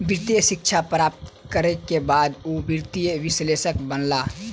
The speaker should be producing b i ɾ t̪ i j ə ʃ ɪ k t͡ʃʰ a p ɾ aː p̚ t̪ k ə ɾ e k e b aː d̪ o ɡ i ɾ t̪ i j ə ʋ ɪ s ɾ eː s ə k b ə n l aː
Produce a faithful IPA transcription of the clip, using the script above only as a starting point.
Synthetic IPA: b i ɾ t̪ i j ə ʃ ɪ k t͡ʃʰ a p ɾ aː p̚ t̪ k ə ɾ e k e b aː d̪ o b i ɾ t̪ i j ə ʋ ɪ s l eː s ə k b ə n l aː